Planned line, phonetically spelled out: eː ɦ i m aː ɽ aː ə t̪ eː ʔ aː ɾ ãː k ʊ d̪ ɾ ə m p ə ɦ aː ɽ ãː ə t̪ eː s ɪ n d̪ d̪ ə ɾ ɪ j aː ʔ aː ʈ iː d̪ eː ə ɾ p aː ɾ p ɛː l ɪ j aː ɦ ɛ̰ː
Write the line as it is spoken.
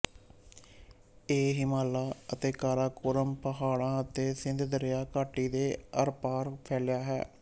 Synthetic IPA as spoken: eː ɦ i m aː l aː ə t̪ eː k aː ɾ aː k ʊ ɾ ə m p ə ɦ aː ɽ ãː ə t̪ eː s ɪ n d̪ d̪ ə ɾ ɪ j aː k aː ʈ iː d̪ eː ə ɾ p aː ɾ pʰ ɛː l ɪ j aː ɦ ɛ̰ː